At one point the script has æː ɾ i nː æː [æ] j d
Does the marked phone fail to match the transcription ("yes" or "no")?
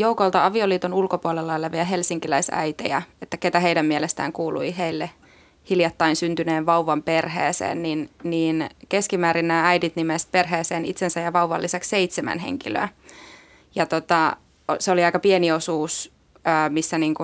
no